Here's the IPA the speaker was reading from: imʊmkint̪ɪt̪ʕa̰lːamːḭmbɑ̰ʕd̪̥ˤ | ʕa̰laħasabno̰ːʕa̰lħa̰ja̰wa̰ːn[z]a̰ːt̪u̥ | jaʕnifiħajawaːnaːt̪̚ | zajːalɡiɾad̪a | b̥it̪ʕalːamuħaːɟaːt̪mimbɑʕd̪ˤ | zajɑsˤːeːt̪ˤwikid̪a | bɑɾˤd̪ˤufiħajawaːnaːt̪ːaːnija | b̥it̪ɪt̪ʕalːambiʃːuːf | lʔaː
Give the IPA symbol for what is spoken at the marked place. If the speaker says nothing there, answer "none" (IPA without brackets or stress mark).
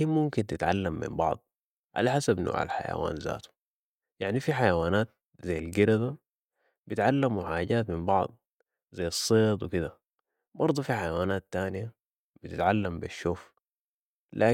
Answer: z